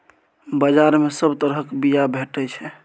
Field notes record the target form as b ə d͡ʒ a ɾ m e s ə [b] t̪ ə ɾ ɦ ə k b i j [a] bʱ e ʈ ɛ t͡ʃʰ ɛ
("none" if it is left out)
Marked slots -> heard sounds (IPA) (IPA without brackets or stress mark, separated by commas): b, a